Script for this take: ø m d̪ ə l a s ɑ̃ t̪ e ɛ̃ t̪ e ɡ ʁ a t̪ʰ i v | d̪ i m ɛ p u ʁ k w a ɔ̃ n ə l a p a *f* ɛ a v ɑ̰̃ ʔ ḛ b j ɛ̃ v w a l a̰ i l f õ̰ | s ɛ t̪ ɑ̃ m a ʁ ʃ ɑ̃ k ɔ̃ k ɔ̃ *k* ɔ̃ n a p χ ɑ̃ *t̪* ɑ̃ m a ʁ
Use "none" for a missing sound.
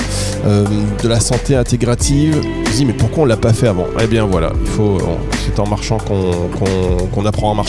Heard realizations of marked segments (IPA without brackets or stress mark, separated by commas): f, k, none